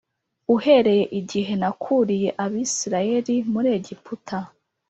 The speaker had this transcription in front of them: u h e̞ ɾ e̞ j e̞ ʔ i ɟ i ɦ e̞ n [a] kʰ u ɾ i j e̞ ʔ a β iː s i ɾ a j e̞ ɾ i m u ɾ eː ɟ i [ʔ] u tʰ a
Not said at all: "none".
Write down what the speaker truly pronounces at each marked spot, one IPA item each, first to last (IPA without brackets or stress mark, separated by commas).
a, p